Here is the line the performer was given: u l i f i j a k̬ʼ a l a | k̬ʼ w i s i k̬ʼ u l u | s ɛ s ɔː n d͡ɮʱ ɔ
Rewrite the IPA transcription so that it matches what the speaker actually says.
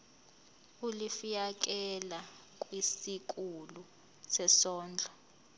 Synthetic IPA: u l i f i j a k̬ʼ ɛ l a | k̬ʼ w i s i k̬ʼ u l u | s ɛ s ɔː n d͡ɮʱ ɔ